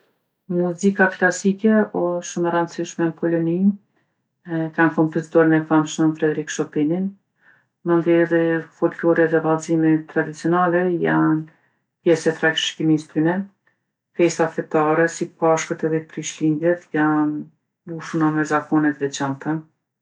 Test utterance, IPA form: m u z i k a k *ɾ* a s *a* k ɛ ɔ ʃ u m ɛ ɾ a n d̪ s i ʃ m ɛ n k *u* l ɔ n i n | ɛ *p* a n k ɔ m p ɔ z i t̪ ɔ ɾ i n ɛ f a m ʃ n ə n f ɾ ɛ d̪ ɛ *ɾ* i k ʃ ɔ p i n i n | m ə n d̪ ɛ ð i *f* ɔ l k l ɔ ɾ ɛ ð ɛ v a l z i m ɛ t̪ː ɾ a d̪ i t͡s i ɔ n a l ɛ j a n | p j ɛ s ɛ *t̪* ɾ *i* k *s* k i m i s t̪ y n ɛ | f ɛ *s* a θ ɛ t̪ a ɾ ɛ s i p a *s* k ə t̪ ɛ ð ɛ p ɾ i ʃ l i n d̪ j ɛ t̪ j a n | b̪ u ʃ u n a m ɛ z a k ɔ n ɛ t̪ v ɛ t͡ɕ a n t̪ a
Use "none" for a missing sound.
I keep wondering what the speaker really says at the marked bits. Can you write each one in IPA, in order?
l, i, ɔ, k, ɾ, f, t̪, a, ʃ, s, ʃ

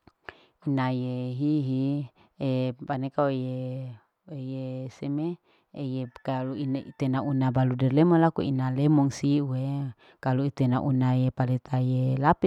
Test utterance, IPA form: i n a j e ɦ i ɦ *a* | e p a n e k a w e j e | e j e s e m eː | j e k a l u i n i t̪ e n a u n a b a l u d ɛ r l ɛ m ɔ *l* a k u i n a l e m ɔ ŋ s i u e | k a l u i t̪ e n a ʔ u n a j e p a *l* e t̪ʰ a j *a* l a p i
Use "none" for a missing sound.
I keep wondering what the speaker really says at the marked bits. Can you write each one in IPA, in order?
i, l, l, e

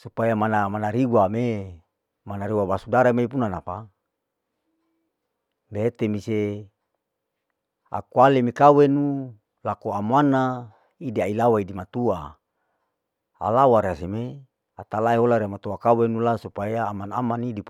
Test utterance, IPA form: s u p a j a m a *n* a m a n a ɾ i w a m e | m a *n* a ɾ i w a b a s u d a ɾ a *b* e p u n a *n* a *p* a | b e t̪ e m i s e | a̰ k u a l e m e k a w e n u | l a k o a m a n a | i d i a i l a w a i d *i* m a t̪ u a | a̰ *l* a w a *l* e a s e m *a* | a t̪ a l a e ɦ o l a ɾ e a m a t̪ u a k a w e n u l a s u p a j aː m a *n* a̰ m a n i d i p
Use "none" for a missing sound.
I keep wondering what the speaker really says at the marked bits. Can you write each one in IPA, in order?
n, n, m, n, p, i, l, ɾ, e, n

